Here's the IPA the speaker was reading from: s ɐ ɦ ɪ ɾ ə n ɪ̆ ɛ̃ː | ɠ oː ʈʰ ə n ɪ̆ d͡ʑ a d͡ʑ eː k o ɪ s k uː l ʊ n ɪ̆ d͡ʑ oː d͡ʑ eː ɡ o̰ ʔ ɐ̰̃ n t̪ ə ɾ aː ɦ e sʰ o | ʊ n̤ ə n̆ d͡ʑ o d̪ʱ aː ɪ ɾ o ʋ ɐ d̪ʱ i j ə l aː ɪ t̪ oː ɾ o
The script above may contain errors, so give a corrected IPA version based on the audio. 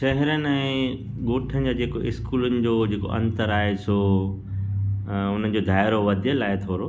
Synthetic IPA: ʃ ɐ ɦ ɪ ɾ ə n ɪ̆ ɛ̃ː | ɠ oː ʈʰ ə n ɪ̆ d͡ʑ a d͡ʑ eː k o ɪ s k uː l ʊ n ɪ̆ d͡ʑ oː d͡ʑ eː k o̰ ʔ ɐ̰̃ n t̪ ə ɾ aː ɦ e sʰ o | ʊ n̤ ə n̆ d͡ʑ o d̪ʱ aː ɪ ɾ o ʋ ɐ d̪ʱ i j ə l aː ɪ t̪ʰ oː ɾ o